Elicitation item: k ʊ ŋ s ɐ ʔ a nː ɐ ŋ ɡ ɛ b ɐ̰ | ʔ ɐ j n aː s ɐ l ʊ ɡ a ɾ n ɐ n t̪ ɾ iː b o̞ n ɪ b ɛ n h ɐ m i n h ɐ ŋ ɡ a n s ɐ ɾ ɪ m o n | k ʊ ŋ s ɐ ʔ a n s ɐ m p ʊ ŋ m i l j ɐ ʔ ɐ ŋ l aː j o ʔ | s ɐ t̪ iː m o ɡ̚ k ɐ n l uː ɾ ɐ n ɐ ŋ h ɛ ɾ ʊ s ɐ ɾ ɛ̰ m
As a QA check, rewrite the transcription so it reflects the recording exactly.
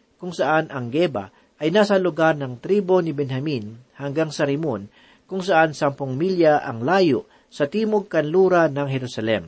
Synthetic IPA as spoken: k ʊ ŋ s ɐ ʔ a n ɐ ŋ ɡ ɛ b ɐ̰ | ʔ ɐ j n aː s ɐ l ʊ ɡ a ɾ n ɐ ŋ t̪ ɾ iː b o̞ n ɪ b ɛ n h ɐ m i n h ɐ ŋ ɡ a ŋ s ɐ ɾ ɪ m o n | k ʊ ŋ s ɐ ʔ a n s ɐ m p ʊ ŋ m i l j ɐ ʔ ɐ ŋ l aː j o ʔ | s ɐ t̪ iː m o ɡ̚ k ɐ n l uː ɾ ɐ n ɐ ŋ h ɛ ɾ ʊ s ɐ l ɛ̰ m